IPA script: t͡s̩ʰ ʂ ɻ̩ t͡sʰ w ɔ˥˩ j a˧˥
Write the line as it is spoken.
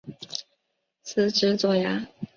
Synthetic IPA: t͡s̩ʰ ʈ͡ʂ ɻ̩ t͡s w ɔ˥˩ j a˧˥